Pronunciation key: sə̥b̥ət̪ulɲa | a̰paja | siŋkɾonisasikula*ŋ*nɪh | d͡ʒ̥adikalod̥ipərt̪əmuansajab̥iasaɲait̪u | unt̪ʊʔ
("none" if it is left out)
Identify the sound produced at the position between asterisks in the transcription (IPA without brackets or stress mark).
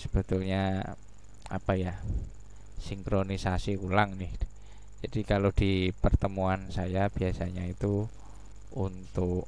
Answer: ŋ